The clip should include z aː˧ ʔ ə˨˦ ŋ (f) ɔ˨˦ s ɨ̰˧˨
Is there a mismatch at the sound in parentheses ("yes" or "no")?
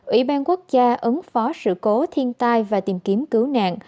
no